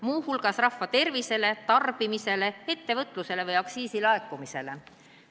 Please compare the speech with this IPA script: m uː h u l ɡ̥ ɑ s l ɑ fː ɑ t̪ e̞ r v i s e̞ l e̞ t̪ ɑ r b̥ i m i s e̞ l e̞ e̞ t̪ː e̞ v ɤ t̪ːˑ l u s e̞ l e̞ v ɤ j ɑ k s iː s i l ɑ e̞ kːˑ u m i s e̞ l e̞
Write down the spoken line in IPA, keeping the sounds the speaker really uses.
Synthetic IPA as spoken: m uː h u l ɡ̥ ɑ s r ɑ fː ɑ t̪ e̞ r v i s e̞ l e̞ t̪ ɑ r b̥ i m i s e̞ l e̞ e̞ t̪ː e̞ v ɤ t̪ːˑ l u s e̞ l e̞ v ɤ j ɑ k s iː s i l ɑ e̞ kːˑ u m i s e̞ l e̞